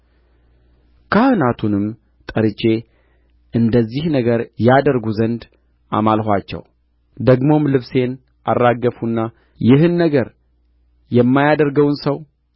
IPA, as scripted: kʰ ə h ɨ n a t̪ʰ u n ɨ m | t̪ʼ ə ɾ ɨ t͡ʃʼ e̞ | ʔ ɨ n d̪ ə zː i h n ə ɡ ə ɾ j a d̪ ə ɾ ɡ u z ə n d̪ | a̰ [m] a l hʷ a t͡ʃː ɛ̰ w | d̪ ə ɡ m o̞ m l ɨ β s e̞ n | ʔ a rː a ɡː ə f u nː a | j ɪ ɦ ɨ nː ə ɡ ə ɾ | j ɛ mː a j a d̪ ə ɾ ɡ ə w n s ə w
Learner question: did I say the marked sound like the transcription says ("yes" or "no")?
yes